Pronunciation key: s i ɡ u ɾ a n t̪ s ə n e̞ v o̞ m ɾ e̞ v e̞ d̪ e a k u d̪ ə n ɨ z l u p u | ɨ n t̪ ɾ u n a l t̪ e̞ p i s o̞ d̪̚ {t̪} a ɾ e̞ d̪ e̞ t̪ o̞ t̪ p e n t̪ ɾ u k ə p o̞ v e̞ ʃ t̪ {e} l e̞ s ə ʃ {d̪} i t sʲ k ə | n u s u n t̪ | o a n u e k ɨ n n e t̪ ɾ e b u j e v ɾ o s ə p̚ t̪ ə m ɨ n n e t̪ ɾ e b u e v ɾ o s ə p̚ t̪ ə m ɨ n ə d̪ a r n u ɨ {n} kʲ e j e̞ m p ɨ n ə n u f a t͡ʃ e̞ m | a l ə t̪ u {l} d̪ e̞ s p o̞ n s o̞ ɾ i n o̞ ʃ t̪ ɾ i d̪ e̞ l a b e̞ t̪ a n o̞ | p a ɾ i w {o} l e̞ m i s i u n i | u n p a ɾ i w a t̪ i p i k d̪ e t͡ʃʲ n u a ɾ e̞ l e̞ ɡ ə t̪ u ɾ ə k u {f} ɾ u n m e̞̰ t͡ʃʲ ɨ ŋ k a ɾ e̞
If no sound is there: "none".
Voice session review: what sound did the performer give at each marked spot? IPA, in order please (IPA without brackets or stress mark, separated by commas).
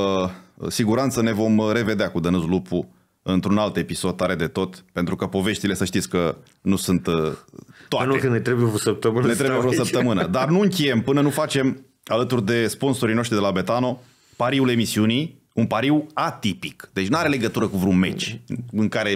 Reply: t̪, i, t̪, ŋ, r, u, v